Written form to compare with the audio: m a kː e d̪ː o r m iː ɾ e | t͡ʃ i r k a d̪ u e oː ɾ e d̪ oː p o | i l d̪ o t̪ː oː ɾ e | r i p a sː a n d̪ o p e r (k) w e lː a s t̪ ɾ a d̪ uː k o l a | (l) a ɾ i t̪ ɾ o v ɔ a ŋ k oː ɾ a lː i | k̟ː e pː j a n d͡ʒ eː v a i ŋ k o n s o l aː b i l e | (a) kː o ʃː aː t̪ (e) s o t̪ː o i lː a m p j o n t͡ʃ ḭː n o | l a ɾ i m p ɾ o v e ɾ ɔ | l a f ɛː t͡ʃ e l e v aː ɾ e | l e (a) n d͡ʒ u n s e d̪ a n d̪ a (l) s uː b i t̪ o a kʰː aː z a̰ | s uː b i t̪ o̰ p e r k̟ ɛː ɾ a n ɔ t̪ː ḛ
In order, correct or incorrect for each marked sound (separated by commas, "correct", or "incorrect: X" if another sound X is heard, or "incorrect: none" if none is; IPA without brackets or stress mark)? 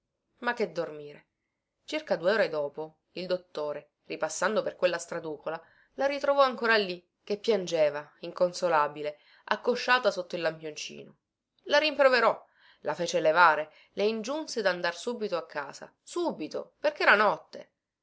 correct, correct, correct, incorrect: a, incorrect: i, incorrect: r